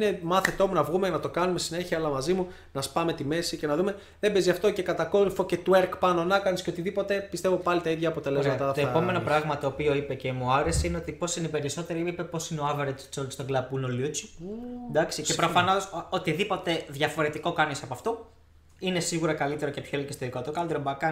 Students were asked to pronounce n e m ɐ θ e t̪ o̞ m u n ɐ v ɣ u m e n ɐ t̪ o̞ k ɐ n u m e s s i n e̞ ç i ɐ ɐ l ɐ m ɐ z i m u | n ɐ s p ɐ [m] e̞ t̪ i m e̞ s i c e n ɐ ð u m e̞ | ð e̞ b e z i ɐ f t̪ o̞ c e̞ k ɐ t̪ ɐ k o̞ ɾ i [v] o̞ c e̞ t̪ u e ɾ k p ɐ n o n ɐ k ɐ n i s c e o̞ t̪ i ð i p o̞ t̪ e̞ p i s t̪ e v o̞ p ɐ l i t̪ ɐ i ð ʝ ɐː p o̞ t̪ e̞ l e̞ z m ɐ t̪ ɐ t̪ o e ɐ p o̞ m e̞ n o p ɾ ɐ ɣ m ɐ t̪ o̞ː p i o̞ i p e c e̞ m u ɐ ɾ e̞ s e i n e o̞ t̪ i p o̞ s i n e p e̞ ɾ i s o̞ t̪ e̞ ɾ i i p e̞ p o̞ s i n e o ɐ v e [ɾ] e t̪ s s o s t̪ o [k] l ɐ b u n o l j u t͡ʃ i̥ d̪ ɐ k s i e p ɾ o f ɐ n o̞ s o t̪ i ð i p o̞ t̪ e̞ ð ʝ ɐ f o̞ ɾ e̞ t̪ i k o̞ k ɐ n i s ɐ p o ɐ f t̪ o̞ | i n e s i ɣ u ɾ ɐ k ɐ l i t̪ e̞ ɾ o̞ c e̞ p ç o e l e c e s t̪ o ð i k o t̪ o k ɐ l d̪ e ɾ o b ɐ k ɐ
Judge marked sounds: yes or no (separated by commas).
yes, no, yes, no